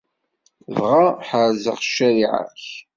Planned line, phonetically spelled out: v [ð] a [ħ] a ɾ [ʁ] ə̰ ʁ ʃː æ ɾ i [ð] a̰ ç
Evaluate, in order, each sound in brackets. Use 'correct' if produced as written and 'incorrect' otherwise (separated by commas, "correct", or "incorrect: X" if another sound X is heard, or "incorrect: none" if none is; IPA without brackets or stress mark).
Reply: incorrect: ʁ, correct, incorrect: z, incorrect: ʕ